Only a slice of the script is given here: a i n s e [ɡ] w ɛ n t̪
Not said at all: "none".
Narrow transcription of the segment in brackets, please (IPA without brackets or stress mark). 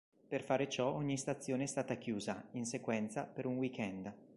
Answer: k